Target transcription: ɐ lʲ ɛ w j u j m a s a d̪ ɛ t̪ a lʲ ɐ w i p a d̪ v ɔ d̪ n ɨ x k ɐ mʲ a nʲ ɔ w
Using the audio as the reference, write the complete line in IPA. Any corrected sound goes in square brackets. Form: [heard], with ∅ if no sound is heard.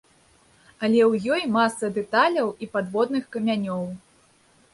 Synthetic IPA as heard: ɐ lʲ ɛ w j [ɔ] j m a s [ɐ] d̪ ɛ t̪ a lʲ ɐ w i p a d̪ v ɔ d̪ n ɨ x k ɐ mʲ a nʲ ɔ w